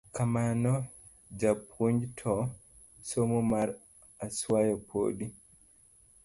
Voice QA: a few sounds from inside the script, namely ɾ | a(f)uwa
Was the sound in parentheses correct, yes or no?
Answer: no